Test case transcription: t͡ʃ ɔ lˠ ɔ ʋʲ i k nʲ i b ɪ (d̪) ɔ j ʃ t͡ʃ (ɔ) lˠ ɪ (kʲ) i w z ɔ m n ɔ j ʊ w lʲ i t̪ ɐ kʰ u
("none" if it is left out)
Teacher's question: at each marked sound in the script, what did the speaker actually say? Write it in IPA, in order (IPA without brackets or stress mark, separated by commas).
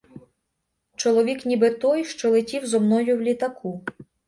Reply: t̪, ɔ, tʲ